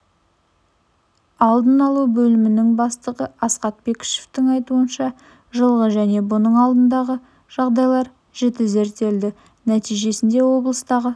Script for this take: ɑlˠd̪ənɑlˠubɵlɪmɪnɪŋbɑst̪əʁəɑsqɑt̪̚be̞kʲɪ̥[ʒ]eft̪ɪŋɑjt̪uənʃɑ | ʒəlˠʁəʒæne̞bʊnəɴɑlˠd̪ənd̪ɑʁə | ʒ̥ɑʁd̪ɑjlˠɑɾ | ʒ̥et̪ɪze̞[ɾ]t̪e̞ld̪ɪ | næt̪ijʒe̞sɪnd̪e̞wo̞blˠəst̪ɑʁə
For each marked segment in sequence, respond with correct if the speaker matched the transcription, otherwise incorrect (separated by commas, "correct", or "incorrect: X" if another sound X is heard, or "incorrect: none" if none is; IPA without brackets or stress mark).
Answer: incorrect: ʃ, correct